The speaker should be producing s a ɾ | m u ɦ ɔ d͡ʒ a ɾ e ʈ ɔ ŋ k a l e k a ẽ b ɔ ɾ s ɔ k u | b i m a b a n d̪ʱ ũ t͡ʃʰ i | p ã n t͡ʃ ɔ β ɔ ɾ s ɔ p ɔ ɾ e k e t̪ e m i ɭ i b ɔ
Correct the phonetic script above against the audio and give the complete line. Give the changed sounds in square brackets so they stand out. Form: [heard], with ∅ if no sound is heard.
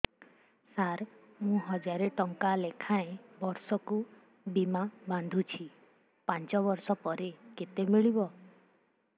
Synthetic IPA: s a ɾ | m [ũ] ɦ ɔ d͡ʒ a ɾ e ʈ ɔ ŋ k a l e [kʰ] a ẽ b ɔ ɾ s ɔ k u | b i m a b a n d̪ʱ [u] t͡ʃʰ i | p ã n t͡ʃ ɔ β ɔ ɾ s ɔ p ɔ ɾ e k e t̪ e m i ɭ i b ɔ